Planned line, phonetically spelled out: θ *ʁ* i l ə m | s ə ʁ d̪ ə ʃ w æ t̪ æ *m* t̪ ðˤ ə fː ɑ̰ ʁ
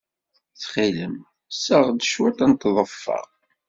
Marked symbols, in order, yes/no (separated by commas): no, no